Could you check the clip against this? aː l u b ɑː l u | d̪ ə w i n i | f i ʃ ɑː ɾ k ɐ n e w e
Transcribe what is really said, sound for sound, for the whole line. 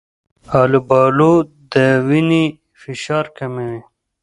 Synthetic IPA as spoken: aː l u b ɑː l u | d̪ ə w i n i | f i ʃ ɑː ɾ k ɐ m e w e